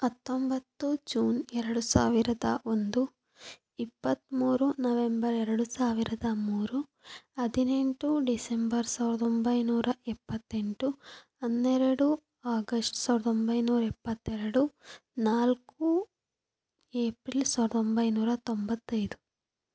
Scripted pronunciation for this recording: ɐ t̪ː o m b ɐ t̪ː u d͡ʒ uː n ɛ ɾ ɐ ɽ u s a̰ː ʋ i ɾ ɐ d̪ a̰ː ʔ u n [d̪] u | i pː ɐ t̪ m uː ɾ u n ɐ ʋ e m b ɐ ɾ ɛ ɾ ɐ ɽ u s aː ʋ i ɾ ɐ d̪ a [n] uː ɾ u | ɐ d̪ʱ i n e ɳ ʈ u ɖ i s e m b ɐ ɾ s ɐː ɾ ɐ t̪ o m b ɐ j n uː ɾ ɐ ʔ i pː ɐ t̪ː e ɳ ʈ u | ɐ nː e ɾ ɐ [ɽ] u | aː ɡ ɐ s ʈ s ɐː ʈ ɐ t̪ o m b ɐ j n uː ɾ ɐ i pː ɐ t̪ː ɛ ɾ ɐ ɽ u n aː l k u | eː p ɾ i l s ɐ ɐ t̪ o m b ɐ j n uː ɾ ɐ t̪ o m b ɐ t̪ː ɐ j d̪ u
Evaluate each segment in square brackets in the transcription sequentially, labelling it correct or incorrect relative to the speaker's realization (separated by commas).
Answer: correct, incorrect, correct